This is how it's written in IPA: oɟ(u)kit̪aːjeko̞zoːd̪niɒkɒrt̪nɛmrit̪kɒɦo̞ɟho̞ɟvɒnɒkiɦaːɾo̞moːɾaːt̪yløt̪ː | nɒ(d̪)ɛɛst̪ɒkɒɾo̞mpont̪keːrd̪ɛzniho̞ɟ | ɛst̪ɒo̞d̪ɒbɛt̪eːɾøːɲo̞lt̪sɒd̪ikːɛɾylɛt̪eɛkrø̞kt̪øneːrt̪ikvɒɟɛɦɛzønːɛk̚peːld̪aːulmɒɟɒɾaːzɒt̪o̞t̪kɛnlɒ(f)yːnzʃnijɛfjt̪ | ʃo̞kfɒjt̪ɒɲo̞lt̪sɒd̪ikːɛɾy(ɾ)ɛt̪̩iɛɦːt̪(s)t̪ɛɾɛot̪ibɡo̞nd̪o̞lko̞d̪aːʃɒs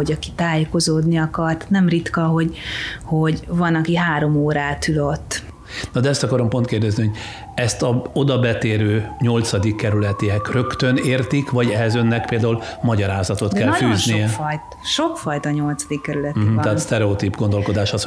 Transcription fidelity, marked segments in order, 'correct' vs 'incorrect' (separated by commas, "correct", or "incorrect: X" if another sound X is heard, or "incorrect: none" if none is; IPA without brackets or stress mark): incorrect: ɒ, correct, correct, incorrect: l, correct